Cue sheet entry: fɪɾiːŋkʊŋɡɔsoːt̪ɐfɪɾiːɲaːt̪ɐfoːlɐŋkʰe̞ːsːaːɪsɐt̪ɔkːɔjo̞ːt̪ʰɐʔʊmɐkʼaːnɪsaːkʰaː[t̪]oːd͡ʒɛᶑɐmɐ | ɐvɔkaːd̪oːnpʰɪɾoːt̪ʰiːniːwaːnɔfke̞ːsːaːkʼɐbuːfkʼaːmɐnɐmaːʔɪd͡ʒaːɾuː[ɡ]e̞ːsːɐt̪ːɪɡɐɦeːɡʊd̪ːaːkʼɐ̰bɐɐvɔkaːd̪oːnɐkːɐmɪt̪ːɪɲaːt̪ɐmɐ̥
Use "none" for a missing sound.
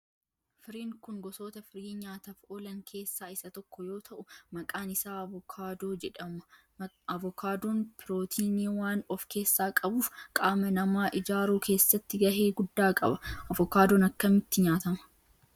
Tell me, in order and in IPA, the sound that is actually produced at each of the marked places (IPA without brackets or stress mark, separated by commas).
d̪, k